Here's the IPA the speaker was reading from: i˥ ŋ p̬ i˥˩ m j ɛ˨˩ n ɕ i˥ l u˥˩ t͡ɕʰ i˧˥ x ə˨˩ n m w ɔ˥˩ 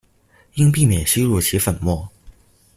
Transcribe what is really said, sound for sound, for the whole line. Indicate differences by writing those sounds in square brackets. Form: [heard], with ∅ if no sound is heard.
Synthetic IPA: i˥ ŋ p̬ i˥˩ m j ɛ˨˩ n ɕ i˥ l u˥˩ t͡ɕʰ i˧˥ [f] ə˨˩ n m w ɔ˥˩